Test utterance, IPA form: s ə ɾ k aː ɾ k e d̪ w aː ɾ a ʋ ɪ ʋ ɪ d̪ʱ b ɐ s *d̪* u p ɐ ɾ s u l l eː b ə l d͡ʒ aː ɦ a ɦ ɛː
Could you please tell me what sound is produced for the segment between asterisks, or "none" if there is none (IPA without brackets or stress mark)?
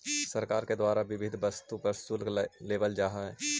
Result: t̪